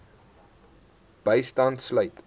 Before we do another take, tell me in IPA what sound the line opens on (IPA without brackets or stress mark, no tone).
b̥